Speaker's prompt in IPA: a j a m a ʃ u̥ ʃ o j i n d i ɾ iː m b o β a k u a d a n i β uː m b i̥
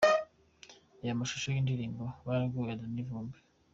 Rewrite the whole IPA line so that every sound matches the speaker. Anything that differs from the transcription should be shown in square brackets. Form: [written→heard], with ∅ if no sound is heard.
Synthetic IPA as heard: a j a m a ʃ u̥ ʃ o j i n d i ɾ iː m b o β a [k→ɡ] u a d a n i [β→v] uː m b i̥